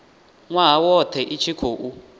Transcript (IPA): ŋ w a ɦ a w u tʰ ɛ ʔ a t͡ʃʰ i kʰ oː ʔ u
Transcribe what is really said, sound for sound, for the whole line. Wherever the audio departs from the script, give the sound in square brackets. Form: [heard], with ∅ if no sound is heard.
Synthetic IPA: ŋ w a ɦ a w [ɔ] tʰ ɛ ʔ [i] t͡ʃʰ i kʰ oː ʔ u